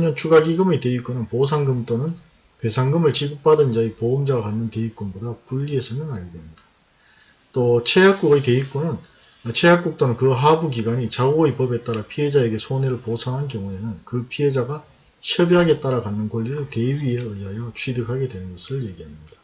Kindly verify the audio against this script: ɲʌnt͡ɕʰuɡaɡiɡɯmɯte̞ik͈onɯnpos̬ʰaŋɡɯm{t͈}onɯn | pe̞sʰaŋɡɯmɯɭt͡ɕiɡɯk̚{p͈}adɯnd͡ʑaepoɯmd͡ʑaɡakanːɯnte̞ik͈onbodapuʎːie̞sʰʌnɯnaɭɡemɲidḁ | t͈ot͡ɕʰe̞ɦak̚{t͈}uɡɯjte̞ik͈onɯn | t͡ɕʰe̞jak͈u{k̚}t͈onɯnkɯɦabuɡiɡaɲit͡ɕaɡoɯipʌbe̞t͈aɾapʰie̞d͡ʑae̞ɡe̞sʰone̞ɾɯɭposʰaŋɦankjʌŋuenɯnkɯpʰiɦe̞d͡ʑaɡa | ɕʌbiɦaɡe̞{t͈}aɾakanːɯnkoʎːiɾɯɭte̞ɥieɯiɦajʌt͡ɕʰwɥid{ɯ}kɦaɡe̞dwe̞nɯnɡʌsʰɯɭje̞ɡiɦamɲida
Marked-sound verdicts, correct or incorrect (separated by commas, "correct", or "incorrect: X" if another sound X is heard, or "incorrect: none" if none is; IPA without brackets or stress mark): correct, correct, incorrect: k͈, correct, correct, correct